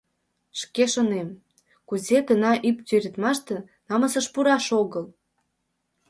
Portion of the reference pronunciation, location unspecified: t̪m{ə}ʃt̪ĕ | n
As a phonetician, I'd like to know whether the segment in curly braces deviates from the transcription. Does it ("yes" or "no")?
yes